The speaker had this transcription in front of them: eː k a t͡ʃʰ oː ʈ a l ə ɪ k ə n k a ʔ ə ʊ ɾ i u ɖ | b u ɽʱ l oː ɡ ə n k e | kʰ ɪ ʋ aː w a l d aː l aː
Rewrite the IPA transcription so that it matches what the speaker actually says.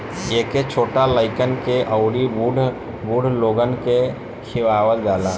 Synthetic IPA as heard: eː k e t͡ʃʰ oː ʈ a l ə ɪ k ə n k e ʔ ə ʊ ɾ i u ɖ | b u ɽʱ l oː ɡ ə n k e | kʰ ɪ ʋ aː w ə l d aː l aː